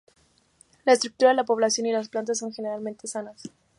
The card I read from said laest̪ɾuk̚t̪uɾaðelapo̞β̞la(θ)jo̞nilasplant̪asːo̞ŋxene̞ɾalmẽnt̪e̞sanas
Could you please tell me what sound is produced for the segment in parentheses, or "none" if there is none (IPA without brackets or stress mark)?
s